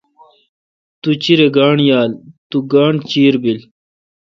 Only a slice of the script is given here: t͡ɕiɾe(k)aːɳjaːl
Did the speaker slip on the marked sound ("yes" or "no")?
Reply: yes